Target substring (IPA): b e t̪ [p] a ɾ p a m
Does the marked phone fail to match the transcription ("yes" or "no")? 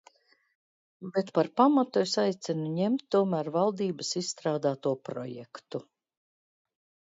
no